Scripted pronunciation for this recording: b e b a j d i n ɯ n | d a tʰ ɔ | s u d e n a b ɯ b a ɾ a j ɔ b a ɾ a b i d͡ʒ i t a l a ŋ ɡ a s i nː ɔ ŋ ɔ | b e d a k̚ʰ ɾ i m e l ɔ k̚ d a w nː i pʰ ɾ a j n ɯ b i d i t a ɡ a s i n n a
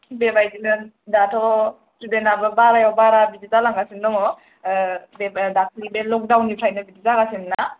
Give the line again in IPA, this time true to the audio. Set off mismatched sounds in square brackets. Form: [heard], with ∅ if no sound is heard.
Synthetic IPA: b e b a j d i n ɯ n | d a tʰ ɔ | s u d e n a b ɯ b a ɾ a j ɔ b a ɾ a b i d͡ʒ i t a l a ŋ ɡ a s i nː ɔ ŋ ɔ | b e d a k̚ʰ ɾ i [b] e l ɔ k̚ d a w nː i pʰ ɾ a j n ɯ b i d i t a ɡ a s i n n a